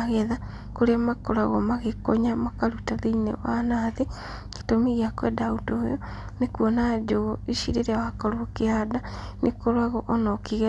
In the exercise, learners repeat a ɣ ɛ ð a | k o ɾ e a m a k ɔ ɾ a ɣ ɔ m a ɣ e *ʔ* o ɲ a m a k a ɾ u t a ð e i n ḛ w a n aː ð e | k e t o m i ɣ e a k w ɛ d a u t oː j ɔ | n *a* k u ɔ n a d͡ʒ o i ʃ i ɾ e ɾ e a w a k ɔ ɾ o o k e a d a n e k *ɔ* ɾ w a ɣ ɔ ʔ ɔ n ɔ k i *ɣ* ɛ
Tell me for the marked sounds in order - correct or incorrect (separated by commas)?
incorrect, incorrect, incorrect, correct